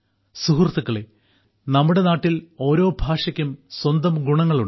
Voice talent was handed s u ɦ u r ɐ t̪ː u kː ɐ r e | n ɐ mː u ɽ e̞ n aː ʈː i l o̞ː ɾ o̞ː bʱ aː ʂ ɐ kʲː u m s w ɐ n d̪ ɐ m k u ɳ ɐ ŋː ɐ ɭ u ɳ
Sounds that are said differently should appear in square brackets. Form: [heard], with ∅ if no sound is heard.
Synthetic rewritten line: s u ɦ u r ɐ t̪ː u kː ɐ [ɭ] e | n ɐ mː u ɽ e̞ n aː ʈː i l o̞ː ɾ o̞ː bʱ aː ʂ ɐ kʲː u m s w ɐ n d̪ ɐ m [ɡ] u ɳ ɐ ŋː ɐ ɭ u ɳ